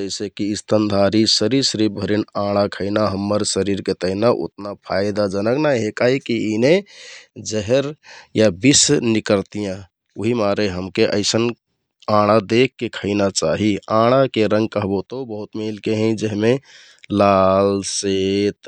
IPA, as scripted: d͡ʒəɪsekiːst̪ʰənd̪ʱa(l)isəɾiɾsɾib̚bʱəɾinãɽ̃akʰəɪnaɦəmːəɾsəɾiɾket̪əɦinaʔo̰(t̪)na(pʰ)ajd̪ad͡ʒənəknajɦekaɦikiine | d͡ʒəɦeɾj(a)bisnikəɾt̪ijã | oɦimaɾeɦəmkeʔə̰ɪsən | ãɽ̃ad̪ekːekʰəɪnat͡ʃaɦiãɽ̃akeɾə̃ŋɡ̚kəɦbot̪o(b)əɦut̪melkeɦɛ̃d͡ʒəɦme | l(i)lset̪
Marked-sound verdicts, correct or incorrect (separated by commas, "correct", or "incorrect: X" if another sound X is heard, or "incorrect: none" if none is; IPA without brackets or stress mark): incorrect: ɾ, correct, correct, correct, correct, incorrect: a